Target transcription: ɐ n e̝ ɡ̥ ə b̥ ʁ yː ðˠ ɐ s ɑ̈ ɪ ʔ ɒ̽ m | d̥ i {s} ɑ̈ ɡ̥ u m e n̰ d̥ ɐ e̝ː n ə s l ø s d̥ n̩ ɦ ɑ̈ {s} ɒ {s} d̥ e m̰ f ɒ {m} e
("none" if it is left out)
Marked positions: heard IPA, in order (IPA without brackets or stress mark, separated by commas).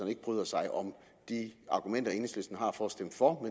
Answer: none, f, s, m